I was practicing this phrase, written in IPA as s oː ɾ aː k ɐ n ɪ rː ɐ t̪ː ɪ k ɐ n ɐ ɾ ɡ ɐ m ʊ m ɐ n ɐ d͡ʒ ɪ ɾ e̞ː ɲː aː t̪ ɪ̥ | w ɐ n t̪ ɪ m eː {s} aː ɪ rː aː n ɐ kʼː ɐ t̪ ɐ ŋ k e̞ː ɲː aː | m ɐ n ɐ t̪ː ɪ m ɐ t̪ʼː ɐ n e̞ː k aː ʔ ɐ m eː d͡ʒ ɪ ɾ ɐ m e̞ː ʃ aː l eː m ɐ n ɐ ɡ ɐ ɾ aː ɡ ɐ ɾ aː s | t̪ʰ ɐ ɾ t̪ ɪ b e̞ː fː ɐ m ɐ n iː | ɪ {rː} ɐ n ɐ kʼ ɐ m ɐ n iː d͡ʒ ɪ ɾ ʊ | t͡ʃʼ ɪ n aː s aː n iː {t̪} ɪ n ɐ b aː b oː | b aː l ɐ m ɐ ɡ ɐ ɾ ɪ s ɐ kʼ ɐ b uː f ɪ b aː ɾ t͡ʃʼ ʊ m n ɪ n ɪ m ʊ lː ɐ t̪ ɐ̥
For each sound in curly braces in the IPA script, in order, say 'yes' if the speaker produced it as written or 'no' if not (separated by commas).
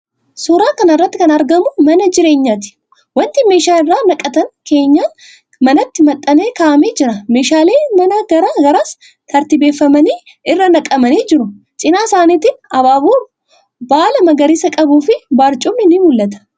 no, yes, yes